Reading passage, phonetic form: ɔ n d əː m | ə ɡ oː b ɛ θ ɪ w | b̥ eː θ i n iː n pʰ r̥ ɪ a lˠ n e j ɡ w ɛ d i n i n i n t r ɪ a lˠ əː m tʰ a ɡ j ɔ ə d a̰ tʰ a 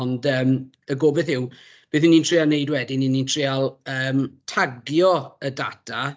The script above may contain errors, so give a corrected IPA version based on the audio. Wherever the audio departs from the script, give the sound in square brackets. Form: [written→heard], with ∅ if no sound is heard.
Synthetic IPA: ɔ n d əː m | ə ɡ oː b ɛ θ ɪ w | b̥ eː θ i n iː n [pʰ→tʰ] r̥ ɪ a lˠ n e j [ɡ→d] w ɛ d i n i n i n [t→tʰ] r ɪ a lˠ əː m tʰ a ɡ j ɔ ə d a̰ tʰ a

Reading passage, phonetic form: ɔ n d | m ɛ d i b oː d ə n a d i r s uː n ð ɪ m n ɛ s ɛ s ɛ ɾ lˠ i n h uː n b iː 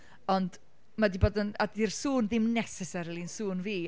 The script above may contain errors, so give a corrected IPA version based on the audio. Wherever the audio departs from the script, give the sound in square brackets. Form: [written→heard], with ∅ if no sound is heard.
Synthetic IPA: ɔ n d | m [ɛ→a] d i b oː d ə n a d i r s uː n ð ɪ m n ɛ s ɛ s ɛ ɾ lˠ i n [h→s] uː n [b→v] iː

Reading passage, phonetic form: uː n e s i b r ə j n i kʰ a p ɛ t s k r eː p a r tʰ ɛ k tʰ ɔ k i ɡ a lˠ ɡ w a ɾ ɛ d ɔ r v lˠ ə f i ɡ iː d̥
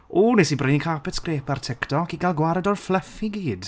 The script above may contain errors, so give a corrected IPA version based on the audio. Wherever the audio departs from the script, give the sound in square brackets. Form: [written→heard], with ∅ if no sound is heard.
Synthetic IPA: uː n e s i b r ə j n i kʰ a p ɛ t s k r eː p a r tʰ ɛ k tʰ ɔ k i ɡ a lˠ ɡ w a ɾ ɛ d ɔ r [v→f] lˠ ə f i ɡ iː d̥

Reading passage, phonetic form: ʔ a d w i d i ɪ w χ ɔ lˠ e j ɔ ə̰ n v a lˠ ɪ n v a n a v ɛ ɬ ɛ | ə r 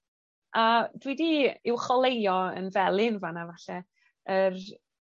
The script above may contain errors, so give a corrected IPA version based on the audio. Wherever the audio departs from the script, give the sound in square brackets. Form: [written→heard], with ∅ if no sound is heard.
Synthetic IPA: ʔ a d w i d i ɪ w χ ɔ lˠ e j ɔ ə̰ n v [a→ɛ] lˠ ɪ n v a n a v [ɛ→a] ɬ ɛ | ə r

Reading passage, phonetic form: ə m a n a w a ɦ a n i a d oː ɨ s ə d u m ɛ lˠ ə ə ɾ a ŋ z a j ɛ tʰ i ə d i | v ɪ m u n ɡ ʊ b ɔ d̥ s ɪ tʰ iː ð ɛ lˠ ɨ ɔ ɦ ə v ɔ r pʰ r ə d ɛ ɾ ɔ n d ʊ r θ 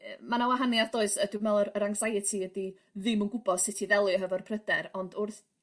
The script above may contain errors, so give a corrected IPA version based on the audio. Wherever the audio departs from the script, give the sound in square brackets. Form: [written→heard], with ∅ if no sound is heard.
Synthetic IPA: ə m a n a w a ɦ a n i a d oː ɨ s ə d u m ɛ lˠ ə ə ɾ a ŋ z a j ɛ tʰ i ə d i | [v→ð] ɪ m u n ɡ ʊ b ɔ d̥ s ɪ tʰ [iː→i] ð ɛ lˠ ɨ ɔ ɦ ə v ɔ r pʰ r ə d ɛ ɾ ɔ n d ʊ r θ

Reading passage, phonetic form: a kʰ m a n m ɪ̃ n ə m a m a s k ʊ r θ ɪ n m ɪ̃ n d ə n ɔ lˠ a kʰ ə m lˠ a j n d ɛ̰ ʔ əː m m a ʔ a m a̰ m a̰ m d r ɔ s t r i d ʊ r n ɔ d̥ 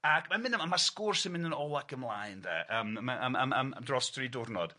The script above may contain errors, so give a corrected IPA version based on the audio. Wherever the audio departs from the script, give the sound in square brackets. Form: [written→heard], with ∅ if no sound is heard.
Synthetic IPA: a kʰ m a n m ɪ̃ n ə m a m a s k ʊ r [θ→s] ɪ n m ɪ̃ n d ə n ɔ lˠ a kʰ ə m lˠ a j n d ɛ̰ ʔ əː m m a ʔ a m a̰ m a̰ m d r ɔ s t r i d ʊ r n ɔ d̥

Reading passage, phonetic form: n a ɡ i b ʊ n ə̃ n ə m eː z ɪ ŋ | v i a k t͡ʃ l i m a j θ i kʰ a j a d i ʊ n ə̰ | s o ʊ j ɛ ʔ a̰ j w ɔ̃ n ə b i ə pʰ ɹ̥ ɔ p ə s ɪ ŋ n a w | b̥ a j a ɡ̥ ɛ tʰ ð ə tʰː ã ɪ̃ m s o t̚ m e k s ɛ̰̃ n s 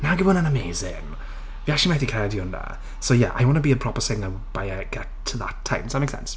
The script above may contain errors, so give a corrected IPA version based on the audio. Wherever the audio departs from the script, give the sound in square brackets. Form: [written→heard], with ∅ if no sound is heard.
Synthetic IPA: n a ɡ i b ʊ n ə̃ n ə m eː z ɪ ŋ | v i a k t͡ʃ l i m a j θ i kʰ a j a d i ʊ n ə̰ | s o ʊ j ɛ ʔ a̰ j w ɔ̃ n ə b i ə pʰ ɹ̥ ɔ p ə s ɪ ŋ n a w | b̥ a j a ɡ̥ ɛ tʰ ð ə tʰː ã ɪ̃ m s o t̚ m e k s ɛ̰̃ n s

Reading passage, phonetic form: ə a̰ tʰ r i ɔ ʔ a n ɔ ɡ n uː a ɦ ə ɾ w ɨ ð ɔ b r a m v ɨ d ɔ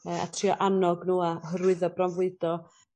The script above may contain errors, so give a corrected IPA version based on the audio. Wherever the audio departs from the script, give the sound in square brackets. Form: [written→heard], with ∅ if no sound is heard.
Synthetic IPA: ə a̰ tʰ r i ɔ ʔ a n ɔ ɡ n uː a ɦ ə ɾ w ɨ ð ɔ b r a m v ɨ d ɔ

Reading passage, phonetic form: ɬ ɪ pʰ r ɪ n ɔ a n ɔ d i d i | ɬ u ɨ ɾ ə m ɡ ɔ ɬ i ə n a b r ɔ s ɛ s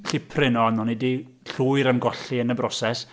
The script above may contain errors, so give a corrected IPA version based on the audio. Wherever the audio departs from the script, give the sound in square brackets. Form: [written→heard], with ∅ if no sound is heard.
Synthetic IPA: ɬ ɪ pʰ r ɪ n ɔ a n ɔ [d→n] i d i | ɬ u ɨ ɾ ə [m→n] ɡ ɔ ɬ i ə n [a→ə] b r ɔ s ɛ s

